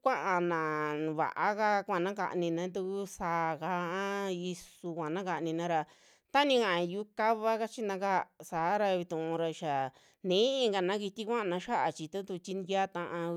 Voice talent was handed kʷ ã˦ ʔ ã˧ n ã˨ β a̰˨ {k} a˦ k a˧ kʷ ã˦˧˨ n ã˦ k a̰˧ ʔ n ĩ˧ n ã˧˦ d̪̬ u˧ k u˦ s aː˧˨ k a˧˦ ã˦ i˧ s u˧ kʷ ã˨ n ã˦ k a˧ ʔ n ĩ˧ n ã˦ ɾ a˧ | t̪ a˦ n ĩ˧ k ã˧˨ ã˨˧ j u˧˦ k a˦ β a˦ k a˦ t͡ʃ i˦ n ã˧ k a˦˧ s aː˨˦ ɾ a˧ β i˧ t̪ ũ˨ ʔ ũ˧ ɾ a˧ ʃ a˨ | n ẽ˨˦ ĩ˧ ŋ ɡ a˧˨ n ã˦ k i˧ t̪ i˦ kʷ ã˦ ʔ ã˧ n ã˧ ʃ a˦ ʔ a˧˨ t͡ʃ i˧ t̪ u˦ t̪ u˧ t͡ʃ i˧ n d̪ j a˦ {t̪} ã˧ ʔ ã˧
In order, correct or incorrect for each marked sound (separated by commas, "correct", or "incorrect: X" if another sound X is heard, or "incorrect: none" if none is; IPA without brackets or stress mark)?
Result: incorrect: ʔ, correct